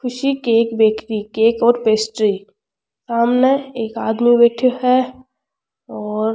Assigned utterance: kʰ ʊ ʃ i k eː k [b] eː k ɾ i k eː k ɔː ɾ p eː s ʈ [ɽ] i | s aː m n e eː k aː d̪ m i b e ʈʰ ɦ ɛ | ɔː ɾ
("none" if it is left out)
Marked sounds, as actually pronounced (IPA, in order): b, ɾ

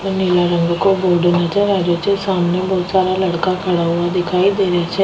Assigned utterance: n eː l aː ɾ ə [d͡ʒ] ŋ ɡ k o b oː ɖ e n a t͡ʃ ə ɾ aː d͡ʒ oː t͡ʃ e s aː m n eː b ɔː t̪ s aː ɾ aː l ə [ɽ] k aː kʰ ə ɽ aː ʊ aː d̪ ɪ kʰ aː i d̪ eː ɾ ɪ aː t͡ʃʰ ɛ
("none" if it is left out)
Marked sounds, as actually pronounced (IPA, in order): none, ɽ

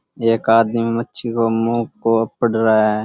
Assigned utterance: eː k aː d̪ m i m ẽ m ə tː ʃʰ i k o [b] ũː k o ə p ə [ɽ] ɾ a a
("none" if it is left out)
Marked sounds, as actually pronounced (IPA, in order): m, ɽ

